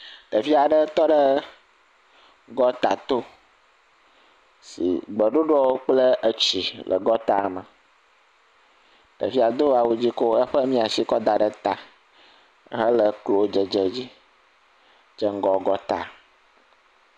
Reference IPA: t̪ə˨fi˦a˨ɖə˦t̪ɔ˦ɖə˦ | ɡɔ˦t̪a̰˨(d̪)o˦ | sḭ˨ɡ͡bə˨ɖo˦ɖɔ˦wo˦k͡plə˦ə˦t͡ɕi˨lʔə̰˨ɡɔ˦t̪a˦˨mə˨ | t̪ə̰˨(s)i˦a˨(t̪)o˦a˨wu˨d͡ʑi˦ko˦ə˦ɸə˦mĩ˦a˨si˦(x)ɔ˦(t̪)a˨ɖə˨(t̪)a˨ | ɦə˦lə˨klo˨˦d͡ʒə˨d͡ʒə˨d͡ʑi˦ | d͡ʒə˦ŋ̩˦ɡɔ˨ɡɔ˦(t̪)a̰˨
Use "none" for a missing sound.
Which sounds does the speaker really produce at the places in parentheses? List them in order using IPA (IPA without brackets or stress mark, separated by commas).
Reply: t̪, f, d̪, k, d̪, t̪, t̪